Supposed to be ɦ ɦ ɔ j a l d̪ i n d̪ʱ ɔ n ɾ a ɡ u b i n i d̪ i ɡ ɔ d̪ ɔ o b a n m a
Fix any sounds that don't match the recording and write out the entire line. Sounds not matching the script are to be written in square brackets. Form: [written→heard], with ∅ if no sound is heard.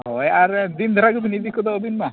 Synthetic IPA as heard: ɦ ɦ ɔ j a [l→ɾ] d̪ i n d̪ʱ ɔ [n→∅] ɾ a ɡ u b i n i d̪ i [ɡ→k] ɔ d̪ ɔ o b [a→i] n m a